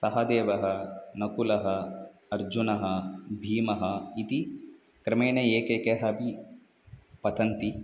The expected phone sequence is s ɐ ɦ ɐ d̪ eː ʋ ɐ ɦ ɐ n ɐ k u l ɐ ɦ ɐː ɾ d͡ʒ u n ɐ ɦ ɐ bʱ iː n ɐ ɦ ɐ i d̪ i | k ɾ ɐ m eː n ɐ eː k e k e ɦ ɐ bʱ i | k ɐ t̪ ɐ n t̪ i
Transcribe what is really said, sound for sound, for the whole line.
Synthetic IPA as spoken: s ɐ ɦ ɐ d̪ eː ʋ ɐ ɦ ɐ n ɐ k u l ɐ ɦ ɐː ɾ d͡ʒ u n ɐ ɦ ɐ bʱ iː m ɐ ɦ ɐ i t̪ i | k ɾ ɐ m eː n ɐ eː k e k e ɦ ɐ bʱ i | p ɐ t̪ ɐ n t̪ i